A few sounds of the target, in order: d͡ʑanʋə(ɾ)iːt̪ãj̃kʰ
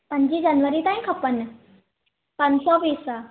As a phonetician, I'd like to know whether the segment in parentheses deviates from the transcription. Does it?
no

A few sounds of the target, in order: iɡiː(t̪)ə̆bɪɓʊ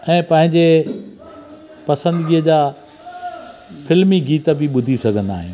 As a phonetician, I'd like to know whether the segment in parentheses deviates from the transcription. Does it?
no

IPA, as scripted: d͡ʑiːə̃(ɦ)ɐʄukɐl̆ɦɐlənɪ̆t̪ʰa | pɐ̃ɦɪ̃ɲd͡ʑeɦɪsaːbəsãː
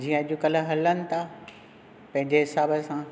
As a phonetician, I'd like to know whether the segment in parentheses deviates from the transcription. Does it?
yes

